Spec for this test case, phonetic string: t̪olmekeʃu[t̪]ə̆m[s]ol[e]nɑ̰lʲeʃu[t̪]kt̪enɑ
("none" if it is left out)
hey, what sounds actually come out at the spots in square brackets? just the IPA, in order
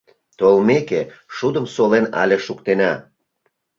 d̪, s, e, none

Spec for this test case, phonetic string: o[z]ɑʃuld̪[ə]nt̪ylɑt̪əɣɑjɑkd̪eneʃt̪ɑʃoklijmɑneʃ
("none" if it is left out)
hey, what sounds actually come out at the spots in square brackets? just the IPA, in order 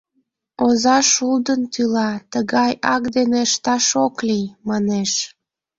z, ə

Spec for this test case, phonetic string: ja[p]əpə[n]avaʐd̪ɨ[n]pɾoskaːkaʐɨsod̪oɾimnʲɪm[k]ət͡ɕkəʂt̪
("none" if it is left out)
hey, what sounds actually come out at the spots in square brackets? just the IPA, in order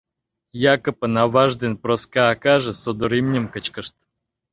k, n, n, k

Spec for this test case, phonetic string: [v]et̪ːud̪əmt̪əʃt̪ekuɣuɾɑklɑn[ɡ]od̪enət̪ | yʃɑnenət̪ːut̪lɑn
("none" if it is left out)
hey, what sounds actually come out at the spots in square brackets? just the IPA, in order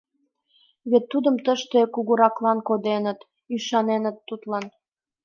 β, k

